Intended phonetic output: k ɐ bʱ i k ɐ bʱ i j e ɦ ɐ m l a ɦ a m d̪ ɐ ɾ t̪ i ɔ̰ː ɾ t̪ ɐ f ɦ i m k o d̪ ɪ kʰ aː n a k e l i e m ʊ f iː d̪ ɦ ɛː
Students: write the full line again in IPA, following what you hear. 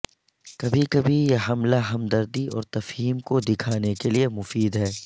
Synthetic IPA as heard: k ɐ bʱ i k ɐ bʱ i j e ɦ ɐ m l a ɦ ɐ m d̪ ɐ ɾ d̪ i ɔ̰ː ɾ t̪ ɐ f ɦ iː m k o d̪ ɪ kʰ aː n e k e l i e m ʊ f iː d̪ ɦ ɛː

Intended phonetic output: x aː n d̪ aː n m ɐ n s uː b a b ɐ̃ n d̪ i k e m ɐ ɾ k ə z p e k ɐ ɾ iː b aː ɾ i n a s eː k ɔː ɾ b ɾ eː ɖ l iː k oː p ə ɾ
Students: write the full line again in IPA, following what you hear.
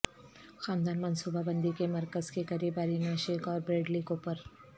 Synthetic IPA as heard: x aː n d̪ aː n m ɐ n s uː b a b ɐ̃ n d̪ i k e m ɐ ɾ k ə z k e k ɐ ɾ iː b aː ɾ i n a ʃ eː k ɔː ɾ b ɾ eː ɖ l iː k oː p ə ɾ

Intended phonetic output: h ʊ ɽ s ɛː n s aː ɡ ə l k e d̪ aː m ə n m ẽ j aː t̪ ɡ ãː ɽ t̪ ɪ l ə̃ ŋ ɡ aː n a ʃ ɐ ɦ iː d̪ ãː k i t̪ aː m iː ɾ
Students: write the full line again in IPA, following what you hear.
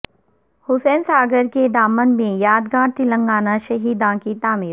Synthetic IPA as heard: h ʊ s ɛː n s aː ɡ ə ɾ k e d̪ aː m ə n m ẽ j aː d̪ ɡ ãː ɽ t̪ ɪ l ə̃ ŋ ɡ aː n a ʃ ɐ ɦ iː d̪ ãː k i t̪ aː m iː ɾ

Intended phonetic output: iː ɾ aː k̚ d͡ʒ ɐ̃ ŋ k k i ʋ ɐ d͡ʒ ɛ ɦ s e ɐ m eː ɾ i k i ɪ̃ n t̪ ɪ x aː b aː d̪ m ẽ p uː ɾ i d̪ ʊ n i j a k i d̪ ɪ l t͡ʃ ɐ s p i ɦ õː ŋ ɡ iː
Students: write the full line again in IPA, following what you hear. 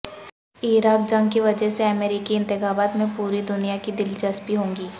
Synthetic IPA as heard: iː ɾ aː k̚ d͡ʒ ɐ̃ ŋ ɡ k i ʋ ɐ d͡ʒ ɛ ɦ s e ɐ m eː ɾ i k i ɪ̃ n t̪ ɪ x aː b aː t̪ m ẽ p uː ɾ i d̪ ʊ n i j a k i d̪ ɪ l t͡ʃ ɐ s p i ɦ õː ŋ ɡ iː

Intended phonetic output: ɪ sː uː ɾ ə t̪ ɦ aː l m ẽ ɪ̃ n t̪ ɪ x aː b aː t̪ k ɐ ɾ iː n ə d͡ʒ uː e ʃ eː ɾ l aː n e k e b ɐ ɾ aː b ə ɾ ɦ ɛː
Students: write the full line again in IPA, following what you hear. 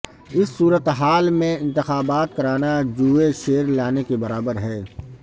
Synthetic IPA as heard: ɪ sː uː ɾ ə t̪ ɦ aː l m ẽ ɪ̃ n t̪ ɪ x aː b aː t̪ k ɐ ɾ aː n a d͡ʒ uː e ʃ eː ɾ l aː n e k e b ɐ ɾ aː b ə ɾ ɦ ɛː

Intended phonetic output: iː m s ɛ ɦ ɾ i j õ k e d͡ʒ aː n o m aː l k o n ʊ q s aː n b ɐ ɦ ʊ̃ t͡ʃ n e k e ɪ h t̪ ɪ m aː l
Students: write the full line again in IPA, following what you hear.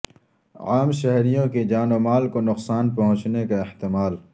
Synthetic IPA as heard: aː m ʃ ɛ ɦ ɾ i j õ k e d͡ʒ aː n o m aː l k o n ʊ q s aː n p ɐ ɦ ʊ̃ t͡ʃ n e k a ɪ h t̪ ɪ m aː l

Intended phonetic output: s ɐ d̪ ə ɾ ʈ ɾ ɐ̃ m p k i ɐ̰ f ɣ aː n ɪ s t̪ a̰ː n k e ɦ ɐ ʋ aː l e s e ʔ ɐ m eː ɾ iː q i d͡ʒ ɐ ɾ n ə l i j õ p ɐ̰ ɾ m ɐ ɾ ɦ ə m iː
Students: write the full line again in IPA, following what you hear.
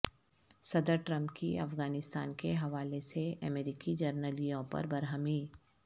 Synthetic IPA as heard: s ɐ d̪ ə ɾ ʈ ɾ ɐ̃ m p k i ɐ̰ f ɣ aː n ɪ s t̪ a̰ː n k e ɦ ɐ ʋ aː l e s e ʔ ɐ m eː ɾ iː k i d͡ʒ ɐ ɾ n ə l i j õ p ɐ̰ ɾ b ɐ ɾ ɦ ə m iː

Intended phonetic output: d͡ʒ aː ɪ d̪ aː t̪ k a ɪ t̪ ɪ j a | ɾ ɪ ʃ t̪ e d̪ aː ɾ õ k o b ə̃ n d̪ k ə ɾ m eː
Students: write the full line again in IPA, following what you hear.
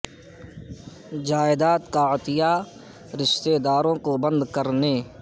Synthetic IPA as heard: d͡ʒ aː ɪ d̪ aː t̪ k a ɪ t̪ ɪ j a | ɾ ɪ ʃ t̪ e d̪ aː ɾ õ k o b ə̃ n d̪ k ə ɾ n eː

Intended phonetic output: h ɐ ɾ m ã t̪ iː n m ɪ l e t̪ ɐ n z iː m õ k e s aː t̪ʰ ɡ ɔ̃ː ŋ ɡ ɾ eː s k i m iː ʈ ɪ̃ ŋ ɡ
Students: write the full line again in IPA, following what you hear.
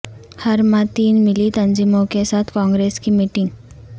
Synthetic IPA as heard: h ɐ ɾ m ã t̪ iː n m ɪ l i t̪ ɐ n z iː m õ k e s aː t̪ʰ k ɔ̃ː ŋ ɡ ɾ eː s k i m iː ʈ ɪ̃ ŋ ɡ

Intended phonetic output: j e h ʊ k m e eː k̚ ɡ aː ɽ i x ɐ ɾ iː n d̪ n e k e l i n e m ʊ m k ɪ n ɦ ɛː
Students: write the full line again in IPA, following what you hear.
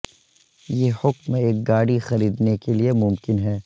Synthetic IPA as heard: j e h ʊ k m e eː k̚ ɡ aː ɽ i x ɐ ɾ iː d̪ n e k e l i e m ʊ m k ɪ n ɦ ɛː

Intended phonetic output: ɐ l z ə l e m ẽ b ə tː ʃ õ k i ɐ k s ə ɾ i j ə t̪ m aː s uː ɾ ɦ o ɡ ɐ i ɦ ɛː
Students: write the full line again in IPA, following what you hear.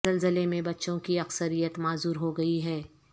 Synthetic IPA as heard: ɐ l z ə l e m ẽ b ɐ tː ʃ õ k i ɐ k s ə ɾ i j ə t̪ m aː z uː ɾ ɦ o ɡ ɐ i ɦ ɛː

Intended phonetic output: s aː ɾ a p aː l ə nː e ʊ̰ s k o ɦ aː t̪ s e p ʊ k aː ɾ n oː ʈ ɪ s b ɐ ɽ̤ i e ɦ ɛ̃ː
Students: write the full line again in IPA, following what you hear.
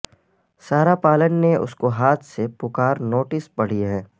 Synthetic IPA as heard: s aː ɾ a p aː l ə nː e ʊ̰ s k o ɦ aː t̪ʰ s e p ʊ k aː ɾ n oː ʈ ɪ s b ɐ ɽ̤ i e ɦ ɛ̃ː

